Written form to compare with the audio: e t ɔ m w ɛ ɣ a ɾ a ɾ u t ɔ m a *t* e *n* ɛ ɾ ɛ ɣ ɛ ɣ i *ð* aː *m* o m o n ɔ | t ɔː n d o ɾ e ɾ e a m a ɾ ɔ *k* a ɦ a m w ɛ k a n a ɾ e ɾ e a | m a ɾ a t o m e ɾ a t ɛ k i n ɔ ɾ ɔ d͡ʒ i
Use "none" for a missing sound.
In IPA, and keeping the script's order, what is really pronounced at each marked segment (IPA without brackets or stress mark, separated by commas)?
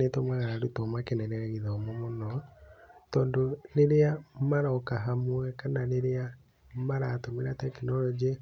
k, n, ð, m, k